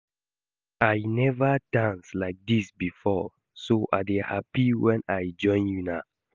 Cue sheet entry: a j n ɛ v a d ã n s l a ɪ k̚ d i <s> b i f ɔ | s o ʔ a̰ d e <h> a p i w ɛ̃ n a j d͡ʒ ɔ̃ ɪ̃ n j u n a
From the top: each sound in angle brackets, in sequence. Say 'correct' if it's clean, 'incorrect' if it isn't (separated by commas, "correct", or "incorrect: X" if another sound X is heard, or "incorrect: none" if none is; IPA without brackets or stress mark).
correct, correct